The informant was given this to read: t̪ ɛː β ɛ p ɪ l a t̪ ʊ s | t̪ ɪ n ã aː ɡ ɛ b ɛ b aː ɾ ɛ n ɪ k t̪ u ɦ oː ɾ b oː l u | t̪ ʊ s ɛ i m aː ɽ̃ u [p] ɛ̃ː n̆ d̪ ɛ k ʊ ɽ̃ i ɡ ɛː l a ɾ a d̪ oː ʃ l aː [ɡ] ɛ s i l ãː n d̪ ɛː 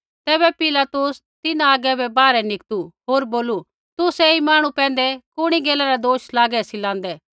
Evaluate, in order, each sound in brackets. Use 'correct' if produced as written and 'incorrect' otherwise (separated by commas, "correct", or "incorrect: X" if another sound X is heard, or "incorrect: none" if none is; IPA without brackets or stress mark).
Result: correct, correct